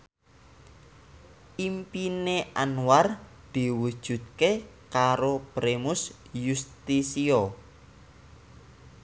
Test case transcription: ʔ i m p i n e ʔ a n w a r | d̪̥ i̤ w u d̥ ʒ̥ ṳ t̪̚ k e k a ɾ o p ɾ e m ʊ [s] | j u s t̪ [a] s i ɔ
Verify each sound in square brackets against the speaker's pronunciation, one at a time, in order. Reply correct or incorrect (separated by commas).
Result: correct, incorrect